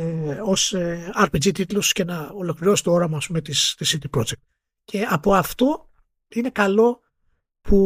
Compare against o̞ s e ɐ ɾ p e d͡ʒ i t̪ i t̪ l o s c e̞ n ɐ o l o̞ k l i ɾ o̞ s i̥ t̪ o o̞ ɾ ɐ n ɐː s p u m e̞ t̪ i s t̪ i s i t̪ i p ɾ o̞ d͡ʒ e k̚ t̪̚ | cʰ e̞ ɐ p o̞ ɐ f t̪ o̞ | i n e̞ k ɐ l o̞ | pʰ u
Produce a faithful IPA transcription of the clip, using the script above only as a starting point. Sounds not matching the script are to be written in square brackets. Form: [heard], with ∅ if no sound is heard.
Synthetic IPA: o̞ s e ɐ ɾ p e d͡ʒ i t̪ i t̪ l o s c e̞ n ɐ o l o̞ k l i ɾ o̞ s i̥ t̪ o o̞ ɾ ɐ [m] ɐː s p u m e̞ t̪ i s t̪ i s i t̪ i p ɾ o̞ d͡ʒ e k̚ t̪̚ | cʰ e̞ ɐ p o̞ ɐ f t̪ o̞ | i n e̞ k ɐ l o̞ | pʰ u